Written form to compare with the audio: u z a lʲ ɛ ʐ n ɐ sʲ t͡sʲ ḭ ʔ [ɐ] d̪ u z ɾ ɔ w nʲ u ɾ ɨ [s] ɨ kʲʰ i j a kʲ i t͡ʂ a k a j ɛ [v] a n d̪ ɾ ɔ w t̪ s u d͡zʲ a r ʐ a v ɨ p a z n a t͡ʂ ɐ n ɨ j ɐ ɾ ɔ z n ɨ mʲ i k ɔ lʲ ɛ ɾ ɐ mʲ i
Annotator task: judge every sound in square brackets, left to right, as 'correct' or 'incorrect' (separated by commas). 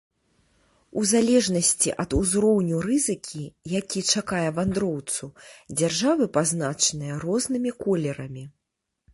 correct, incorrect, correct